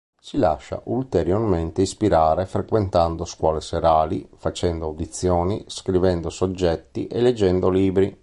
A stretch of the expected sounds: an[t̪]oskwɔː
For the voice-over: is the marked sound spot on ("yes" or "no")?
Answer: no